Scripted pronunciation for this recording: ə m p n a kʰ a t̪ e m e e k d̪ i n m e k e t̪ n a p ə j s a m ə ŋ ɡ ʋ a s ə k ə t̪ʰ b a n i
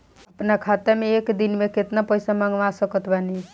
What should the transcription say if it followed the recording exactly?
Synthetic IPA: ə p n a kʰ a t̪ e m e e k d̪ i n m e k e t̪ n a p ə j s a m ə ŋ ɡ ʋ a s ə k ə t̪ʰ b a n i